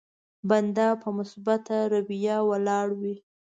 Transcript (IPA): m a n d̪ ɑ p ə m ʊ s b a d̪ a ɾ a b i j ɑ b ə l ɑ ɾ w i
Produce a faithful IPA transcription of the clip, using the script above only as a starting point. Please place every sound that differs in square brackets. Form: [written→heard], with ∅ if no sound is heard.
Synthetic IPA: [m→b] a n d̪ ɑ p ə m ʊ s b a [d̪→t̪] a ɾ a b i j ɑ [b→w] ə l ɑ [ɾ→ɽ] w i